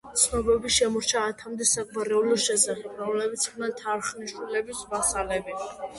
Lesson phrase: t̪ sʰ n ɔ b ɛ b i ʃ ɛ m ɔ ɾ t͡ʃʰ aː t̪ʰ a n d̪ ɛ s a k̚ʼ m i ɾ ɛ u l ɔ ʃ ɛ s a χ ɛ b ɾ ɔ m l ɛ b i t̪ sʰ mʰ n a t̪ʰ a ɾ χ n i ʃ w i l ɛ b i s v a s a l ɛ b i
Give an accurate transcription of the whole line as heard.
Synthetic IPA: t̪ sʰ n ɔ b ɛ b i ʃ ɛ m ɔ ɾ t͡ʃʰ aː t̪ʰ a m d̪ ɛ s a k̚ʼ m a ɾ ɛ u l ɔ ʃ ɛ s a χ ɛ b ɾ ɔ m l ɛ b i t̪ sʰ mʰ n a t̪ʰ a ɾ χ n i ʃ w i l ɛ b i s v a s a l ɛ b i